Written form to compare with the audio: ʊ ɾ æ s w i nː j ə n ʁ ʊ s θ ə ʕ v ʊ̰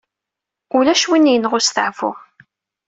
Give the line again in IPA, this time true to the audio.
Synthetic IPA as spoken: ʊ l æ ʃ w i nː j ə n ʁ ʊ s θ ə ʕ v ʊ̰